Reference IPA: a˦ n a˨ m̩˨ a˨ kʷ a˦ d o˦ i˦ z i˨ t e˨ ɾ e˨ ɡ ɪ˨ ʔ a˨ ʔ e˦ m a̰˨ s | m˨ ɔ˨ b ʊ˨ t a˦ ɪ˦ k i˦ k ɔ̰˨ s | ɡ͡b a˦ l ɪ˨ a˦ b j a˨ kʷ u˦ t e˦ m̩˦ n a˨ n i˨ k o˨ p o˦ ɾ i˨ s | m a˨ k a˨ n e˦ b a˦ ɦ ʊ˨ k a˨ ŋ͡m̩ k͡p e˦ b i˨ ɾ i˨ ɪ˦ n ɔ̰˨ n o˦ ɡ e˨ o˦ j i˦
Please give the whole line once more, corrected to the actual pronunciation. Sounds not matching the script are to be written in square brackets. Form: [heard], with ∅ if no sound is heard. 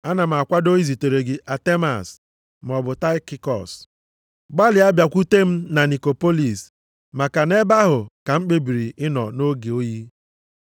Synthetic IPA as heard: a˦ n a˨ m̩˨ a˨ kʷ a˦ d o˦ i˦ z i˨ t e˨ ɾ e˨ ɡ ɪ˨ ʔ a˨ [t] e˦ m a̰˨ s | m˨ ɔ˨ b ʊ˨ t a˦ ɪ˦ k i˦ k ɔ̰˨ s | ɡ͡b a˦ l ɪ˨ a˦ b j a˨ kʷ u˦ t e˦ m̩˦ n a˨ n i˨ k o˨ p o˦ [l] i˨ s | m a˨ k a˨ n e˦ b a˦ ɦ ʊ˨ k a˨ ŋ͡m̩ k͡p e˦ b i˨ ɾ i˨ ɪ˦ n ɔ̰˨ n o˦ ɡ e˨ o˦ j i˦